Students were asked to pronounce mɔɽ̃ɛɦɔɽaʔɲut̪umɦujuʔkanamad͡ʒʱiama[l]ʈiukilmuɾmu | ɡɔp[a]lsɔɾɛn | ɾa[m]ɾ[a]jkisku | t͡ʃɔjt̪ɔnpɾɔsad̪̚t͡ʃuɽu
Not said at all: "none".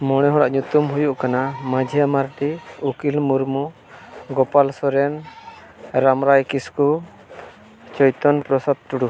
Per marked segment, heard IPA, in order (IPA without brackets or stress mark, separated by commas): ɾ, a, m, a